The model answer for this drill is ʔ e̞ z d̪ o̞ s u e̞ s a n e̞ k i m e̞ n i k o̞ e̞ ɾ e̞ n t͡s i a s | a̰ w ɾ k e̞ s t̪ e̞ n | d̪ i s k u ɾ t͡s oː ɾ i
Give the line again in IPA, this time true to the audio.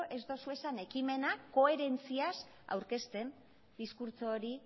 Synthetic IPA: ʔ e̞ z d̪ o̞ s u e̞ s a n e̞ k i m e̞ n a k o̞ e̞ ɾ e̞ n t͡s i a s | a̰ w ɾ k e̞ s t̪ e̞ n | d̪ i s k u ɾ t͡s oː ɾ i